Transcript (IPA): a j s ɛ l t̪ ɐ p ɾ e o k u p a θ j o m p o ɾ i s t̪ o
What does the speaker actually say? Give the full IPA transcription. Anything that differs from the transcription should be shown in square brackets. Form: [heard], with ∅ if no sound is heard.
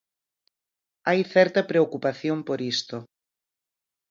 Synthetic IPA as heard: a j [θ] ɛ [ɾ] t̪ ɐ p ɾ e o k u p a θ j o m p o ɾ i s t̪ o

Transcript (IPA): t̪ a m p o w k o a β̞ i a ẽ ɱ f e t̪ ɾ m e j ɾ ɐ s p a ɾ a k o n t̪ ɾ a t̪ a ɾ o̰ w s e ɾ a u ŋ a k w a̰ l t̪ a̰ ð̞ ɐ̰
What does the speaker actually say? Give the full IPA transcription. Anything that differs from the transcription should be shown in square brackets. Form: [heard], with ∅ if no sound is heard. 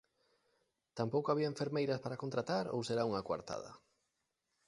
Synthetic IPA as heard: t̪ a m p o w k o a β̞ i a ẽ ɱ f e [∅] ɾ m e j ɾ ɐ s p a ɾ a k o n t̪ ɾ a t̪ a ɾ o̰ w s e ɾ a u ŋ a k w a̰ [ɾ] t̪ a̰ ð̞ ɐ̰

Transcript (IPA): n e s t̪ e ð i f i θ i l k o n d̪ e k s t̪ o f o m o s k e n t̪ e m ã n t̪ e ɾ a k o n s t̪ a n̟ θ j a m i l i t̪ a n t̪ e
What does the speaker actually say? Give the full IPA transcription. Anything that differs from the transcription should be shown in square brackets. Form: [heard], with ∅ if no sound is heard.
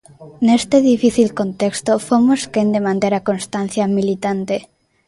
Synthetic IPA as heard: n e s t̪ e ð i f i θ i l k o n [t̪] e k s t̪ o f o m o s k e n [d̪] e m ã n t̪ e ɾ a k o n s t̪ a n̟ θ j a m i l i t̪ a n t̪ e

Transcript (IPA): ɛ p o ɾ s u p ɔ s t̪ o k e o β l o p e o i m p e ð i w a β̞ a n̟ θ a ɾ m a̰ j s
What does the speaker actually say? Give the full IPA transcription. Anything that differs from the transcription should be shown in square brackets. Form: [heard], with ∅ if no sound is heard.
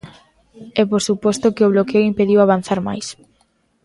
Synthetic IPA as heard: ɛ p o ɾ s u p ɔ s t̪ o k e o β l o [k] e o i m p e ð i w a β̞ a n̟ θ a ɾ m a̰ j s

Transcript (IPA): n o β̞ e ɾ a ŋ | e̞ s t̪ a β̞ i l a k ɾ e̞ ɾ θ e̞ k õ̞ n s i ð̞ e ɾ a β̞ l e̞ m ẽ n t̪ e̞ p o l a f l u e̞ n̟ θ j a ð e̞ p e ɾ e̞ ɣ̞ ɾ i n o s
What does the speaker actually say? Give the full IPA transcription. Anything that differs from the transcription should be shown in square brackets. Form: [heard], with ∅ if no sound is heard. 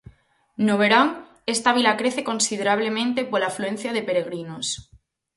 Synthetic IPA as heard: n o β̞ e ɾ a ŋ | e̞ s t̪ a β̞ i l a k ɾ e̞ [∅] θ e̞ k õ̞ n s i ð̞ e ɾ a β̞ l e̞ m ẽ n t̪ e̞ p o l a f l u e̞ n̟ θ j a ð e̞ p e ɾ e̞ ɣ̞ ɾ i n o s

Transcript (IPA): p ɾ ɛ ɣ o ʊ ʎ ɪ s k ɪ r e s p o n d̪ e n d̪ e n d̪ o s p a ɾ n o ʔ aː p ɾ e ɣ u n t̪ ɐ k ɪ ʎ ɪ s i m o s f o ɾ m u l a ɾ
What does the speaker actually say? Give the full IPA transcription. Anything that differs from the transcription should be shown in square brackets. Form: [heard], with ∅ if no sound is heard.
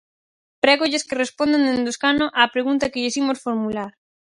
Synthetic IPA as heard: p ɾ ɛ ɣ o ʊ ʎ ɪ s k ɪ r e s p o n d̪ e n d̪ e n d̪ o s [k] a [∅] n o ʔ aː p ɾ e ɣ u n t̪ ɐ k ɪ ʎ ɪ s i m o s f o ɾ m u l a ɾ

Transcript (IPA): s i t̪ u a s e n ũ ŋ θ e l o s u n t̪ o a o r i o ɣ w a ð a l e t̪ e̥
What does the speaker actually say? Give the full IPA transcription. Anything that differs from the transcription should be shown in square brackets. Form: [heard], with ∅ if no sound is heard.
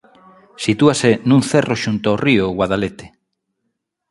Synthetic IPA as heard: s i t̪ u a s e n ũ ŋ θ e [r] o [ʃ] u n t̪ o a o r i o ɣ w a ð a l e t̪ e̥

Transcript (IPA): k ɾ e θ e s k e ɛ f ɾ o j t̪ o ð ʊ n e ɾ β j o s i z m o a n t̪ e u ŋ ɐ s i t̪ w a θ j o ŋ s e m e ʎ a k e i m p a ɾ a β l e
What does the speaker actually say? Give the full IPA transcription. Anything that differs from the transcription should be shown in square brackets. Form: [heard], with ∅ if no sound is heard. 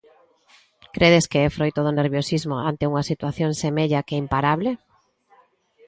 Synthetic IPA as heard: k ɾ e [ð] e s k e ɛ f ɾ o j t̪ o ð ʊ n e ɾ β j o s i z m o a n t̪ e u ŋ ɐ s i t̪ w a θ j o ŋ s e m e ʎ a k e i m p a ɾ a β l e

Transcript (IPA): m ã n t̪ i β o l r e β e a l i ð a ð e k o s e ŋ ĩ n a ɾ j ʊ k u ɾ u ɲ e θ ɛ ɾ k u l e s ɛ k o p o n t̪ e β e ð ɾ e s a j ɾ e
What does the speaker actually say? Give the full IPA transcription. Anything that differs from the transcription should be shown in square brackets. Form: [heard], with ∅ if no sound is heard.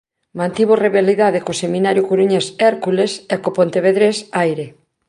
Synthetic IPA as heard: m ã n t̪ i β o [∅] r e β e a l i ð a ð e k o s e [m] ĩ n a ɾ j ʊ k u ɾ u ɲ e [s] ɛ ɾ k u l e s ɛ k o p o n t̪ e β e ð ɾ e s a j ɾ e

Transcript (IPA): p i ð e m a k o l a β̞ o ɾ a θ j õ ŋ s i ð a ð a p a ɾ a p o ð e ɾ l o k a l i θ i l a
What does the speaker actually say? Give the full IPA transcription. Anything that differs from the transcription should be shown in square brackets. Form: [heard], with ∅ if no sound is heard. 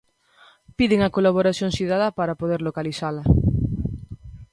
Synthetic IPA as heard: p i ð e [ŋ] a k o l a β̞ o ɾ a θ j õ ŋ s i ð a ð a p a ɾ a p o ð e ɾ l o k a l i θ [a] l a

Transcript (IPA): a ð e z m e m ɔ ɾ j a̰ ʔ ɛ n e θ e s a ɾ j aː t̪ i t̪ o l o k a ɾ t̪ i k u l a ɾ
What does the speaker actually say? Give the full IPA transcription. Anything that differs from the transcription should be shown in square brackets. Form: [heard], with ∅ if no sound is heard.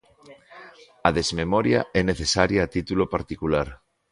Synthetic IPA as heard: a ð e z m e m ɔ ɾ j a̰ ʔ ɛ n e θ e s a ɾ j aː t̪ i t̪ [u] l o [p] a ɾ t̪ i k u l a ɾ

